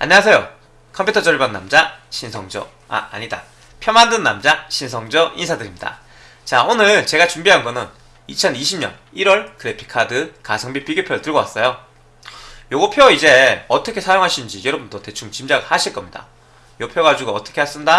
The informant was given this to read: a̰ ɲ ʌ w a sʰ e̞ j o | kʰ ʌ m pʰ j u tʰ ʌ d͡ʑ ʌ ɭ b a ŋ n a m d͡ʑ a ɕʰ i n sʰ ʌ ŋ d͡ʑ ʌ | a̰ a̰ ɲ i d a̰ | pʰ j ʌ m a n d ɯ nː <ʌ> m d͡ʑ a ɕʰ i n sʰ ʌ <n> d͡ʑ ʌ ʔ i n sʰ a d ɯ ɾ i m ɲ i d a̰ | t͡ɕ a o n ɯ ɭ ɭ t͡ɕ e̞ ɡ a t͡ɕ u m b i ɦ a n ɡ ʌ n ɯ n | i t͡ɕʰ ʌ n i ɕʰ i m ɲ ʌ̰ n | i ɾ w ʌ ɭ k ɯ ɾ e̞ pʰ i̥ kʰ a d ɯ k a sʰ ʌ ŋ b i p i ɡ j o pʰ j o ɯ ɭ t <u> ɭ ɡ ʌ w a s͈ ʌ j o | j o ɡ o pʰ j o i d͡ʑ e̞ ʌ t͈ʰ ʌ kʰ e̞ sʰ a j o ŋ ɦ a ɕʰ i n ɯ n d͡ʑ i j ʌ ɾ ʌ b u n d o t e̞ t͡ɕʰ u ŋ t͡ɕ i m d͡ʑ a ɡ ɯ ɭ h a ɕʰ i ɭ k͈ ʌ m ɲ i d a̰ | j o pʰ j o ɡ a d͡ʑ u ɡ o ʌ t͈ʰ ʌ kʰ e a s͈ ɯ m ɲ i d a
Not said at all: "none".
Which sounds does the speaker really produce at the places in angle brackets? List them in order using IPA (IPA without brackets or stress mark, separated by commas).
a, ŋ, ɯ